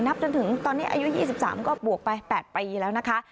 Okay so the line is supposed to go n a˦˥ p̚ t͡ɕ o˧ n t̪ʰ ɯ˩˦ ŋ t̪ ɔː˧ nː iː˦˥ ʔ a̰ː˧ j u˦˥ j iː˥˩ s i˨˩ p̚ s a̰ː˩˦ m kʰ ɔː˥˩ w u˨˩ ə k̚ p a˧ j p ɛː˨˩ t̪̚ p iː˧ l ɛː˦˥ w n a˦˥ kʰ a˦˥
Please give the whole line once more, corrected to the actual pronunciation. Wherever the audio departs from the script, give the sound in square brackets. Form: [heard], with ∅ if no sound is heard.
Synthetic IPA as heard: n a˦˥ p̚ t͡ɕ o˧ n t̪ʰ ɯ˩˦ ŋ t̪ ɔː˧ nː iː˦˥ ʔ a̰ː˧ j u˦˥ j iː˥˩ s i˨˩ p̚ s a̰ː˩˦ m [k] ɔː˥˩ [b] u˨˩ ə k̚ p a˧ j p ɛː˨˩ t̪̚ p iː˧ l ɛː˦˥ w n a˦˥ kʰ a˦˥